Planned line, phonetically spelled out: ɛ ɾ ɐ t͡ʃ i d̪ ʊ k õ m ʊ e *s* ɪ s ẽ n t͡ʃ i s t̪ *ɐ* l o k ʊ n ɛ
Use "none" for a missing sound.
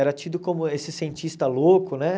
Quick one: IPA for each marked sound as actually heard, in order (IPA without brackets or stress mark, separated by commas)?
s, ɐ